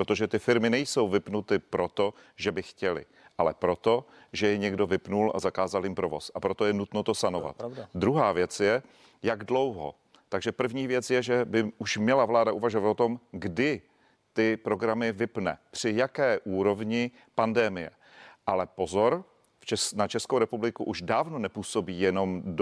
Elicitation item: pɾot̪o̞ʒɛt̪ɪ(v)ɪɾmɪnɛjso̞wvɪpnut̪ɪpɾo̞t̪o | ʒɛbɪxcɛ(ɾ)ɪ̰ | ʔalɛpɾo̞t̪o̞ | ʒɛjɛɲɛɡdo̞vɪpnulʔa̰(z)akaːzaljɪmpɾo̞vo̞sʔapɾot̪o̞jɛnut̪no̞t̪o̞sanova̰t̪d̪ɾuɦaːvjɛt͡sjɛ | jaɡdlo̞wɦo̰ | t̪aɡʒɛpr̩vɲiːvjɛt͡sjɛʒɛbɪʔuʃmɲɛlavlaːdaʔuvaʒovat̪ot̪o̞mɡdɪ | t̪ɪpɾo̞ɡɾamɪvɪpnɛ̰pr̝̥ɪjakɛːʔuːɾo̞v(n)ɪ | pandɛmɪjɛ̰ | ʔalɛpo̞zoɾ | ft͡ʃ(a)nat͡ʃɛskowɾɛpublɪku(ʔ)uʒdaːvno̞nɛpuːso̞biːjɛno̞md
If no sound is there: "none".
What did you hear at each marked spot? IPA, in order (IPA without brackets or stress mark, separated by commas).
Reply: f, l, z, ɲ, ɛ, ʔ